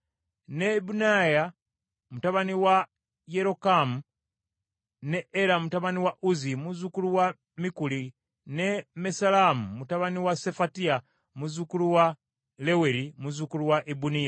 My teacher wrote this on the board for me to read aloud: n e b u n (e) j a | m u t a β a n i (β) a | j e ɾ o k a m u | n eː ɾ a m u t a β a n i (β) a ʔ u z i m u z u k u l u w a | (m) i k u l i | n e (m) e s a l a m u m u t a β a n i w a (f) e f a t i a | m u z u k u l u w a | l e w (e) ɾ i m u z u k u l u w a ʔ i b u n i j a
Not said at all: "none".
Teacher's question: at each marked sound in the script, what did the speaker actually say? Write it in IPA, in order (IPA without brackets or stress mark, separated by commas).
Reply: a, w, w, m, m, s, e